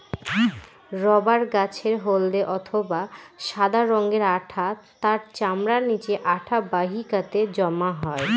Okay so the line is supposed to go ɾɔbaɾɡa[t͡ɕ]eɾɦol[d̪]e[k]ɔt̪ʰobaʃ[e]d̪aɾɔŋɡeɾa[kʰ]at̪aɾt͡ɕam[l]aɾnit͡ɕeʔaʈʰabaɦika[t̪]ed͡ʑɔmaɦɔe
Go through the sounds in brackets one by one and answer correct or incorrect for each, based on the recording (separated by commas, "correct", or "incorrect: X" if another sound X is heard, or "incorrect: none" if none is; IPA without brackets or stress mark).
incorrect: t͡ɕʰ, correct, incorrect: ʔ, incorrect: a, incorrect: ʈʰ, incorrect: ɾ, correct